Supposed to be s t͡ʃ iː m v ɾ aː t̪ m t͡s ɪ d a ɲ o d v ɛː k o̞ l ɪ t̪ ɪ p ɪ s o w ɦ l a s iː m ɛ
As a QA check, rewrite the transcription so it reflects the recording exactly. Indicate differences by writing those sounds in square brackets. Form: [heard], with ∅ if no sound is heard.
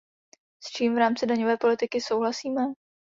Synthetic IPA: s t͡ʃ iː m v ɾ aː [∅] m t͡s ɪ d a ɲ o [∅] v ɛː [p] o̞ l ɪ t̪ ɪ [k] ɪ s o w ɦ l a s iː m ɛ